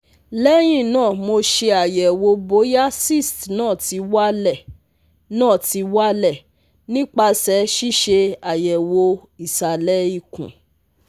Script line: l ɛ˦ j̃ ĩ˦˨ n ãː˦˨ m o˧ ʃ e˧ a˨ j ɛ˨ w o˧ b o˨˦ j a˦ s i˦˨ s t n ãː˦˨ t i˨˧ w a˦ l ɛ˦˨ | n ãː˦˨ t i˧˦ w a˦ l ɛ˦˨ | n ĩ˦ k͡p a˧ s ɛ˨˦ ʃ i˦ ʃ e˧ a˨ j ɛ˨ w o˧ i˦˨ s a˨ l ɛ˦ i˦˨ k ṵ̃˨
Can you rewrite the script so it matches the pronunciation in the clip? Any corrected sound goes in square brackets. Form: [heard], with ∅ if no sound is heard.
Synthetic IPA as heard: l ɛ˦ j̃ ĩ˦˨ n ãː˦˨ m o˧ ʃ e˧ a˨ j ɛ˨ w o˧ b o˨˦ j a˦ s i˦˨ s t n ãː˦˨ t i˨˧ w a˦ l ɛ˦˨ | n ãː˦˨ t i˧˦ w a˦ l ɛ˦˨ | n ĩ˦ k͡p a˧ s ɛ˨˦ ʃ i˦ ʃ e˧ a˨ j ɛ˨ w o˧ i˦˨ s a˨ l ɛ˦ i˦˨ k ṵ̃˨